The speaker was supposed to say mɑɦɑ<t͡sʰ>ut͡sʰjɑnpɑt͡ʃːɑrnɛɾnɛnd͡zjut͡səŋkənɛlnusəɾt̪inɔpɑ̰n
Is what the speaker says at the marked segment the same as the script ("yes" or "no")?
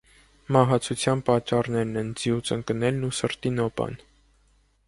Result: yes